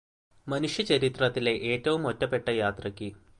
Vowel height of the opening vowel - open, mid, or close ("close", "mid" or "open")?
open